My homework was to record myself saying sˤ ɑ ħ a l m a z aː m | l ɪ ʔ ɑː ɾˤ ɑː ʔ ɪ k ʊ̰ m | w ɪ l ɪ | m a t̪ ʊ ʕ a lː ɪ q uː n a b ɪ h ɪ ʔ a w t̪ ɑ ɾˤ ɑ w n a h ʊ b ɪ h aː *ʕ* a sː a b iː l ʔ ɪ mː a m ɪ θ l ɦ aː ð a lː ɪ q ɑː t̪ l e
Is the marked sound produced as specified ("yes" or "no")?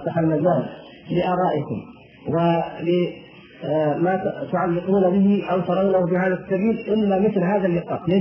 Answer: no